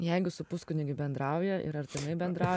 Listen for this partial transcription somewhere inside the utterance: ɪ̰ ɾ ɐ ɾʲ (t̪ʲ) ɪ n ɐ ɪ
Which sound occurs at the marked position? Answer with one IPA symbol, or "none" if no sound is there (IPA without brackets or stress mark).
t̪ʲ